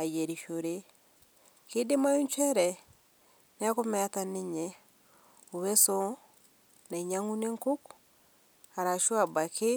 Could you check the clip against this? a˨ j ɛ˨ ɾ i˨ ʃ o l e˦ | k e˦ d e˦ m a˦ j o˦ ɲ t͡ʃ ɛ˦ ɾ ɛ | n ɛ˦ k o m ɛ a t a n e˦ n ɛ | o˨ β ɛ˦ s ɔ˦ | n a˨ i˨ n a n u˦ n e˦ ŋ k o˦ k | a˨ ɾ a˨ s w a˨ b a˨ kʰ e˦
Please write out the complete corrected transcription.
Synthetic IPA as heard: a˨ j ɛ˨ ɾ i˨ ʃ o ɾ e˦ | k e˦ d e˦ m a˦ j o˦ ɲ t͡ʃ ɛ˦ ɾ ɛ | n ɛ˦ k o m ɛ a t a n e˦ ɲ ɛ | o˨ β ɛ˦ s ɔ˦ | n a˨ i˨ ɲ a ŋ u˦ n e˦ ŋ k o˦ k | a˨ ɾ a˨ ʃ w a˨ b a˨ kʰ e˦